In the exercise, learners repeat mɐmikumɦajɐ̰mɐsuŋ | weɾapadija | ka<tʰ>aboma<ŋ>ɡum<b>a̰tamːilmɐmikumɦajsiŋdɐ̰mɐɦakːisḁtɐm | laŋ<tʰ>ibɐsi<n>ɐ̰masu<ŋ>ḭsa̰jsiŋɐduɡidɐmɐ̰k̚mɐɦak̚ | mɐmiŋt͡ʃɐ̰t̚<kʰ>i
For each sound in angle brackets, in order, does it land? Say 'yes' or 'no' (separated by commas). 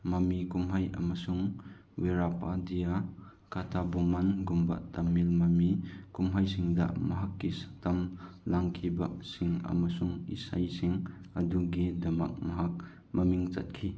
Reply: yes, no, yes, no, no, yes, yes